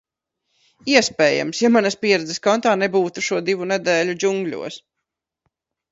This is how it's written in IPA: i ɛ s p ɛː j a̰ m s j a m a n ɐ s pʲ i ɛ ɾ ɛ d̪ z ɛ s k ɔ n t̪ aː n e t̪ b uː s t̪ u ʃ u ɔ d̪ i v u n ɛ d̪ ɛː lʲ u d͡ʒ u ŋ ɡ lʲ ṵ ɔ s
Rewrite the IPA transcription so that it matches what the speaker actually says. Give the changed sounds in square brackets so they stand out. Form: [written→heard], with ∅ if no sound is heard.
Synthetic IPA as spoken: i ɛ s p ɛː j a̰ m s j a m a n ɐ s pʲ i ɛ ɾ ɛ d̪ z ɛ s k ɔ n t̪ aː n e [t̪→∅] b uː [s→∅] t̪ u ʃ u ɔ d̪ i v u n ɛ d̪ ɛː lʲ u d͡ʒ u ŋ ɡ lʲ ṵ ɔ s

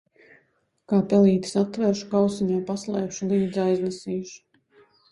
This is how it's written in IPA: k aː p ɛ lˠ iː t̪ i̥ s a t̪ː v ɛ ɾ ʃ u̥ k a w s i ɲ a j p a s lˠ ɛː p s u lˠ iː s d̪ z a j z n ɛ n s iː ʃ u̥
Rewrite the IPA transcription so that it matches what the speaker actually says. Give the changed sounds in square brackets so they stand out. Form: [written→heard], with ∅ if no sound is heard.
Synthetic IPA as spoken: k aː p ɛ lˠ iː t̪ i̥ s a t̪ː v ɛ ɾ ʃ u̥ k a w s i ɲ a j p a s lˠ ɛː p [s→ʃ] u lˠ iː [s→∅] d̪ z a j z n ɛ [n→∅] s iː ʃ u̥

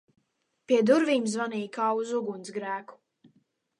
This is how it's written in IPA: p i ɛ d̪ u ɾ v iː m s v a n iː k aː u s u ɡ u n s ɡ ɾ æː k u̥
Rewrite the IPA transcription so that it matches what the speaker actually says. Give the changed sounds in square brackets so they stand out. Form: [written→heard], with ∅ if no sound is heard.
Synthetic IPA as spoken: p i ɛ d̪ u ɾ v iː m [s→z] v a n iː k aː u [s→z] u ɡ u n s ɡ ɾ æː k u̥

